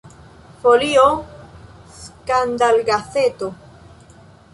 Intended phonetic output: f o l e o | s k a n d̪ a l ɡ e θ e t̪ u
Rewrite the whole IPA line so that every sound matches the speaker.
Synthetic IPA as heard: f o l i o | s k a n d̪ a l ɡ a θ e t̪ o